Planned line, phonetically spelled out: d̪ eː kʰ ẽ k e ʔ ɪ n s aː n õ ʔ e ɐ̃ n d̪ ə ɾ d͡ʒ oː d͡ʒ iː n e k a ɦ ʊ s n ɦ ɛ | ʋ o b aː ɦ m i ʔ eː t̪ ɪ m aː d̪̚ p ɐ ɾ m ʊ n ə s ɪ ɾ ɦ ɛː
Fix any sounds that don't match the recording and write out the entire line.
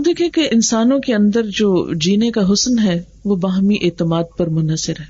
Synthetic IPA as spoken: d̪ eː kʰ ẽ k e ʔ ɪ n s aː n õ k e ɐ̃ n d̪ ə ɾ d͡ʒ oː d͡ʒ iː n e k a ɦ ʊ s n ɦ ɛ | ʋ o b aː ɦ m i ʔ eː t̪ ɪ m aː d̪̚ p ɐ ɾ m ʊ n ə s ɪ ɾ ɦ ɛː